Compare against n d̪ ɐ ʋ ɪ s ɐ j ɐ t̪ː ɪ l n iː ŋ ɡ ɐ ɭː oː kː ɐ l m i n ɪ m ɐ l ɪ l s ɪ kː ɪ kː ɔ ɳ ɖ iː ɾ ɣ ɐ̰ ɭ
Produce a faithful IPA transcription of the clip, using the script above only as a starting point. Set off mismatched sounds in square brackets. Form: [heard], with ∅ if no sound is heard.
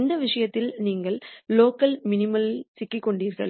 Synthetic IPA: n d̪ ɐ ʋ ɪ [ʂ] ɐ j ɐ t̪ː ɪ l n iː ŋ ɡ ɐ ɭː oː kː ɐ l m [ɪ] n ɪ m ɐ l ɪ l s ɪ kː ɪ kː ɔ ɳ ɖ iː ɾ ɣ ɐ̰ ɭ